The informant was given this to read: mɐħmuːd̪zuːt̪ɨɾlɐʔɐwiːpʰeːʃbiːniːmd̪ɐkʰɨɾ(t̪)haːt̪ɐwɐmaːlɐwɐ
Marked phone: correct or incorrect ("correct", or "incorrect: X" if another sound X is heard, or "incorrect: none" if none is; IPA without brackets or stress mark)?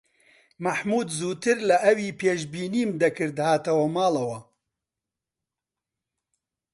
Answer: incorrect: d̪